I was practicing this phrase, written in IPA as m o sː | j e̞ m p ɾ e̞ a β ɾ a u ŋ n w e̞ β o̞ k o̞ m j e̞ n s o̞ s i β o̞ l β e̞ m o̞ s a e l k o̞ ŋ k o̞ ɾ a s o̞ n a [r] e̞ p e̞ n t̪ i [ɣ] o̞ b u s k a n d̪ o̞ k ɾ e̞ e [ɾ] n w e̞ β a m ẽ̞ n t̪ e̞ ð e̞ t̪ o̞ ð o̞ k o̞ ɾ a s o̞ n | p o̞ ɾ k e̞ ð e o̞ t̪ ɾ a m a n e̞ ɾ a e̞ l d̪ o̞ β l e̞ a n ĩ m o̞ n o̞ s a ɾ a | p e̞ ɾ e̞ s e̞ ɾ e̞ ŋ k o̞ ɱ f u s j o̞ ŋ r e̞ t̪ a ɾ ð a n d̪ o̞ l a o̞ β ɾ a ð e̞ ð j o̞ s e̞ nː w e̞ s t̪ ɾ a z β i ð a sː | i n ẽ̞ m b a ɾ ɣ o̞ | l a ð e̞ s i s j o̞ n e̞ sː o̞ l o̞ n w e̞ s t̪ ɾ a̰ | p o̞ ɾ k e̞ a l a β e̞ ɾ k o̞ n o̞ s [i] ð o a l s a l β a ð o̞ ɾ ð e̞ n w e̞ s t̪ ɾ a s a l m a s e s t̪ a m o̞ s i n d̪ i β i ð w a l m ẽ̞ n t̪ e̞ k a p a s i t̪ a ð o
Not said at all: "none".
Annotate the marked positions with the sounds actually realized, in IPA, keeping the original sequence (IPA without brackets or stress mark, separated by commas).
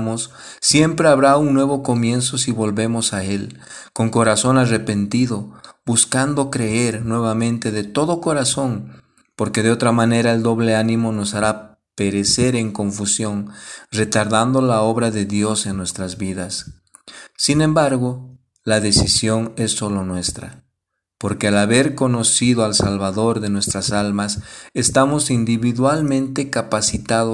r, ð, ɾ, i